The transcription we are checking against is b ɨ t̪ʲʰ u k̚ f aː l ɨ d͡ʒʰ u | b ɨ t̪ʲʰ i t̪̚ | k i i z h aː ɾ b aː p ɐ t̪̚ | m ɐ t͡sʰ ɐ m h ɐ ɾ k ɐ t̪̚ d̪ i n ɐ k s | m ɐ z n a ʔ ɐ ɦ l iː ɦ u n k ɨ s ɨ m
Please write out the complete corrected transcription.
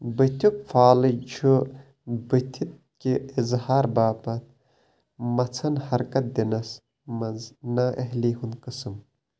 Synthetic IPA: b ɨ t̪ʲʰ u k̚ f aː l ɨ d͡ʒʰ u | b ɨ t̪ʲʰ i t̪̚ | k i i z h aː ɾ b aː p ɐ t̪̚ | m ɐ t͡sʰ ɐ n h ɐ ɾ k ɐ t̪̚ d̪ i n ɐ s | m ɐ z n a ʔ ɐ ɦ l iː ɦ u n k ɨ s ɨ m